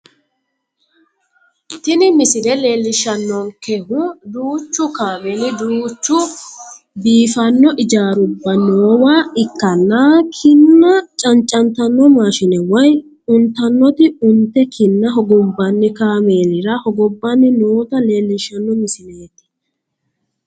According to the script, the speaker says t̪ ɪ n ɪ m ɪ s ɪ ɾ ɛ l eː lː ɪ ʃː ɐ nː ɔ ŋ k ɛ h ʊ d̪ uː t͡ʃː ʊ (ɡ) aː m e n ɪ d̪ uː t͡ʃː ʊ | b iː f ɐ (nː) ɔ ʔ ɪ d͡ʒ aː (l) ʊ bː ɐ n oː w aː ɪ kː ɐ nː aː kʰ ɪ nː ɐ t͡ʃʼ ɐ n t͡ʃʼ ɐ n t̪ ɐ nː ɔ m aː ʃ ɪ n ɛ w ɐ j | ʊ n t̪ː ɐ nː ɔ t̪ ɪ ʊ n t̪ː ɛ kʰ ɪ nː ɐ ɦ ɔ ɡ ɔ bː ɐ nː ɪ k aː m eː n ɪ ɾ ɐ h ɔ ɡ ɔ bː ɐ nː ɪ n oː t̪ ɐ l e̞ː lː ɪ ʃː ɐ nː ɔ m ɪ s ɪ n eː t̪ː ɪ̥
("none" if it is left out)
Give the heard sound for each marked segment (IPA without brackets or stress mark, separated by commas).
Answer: k, nː, ɾ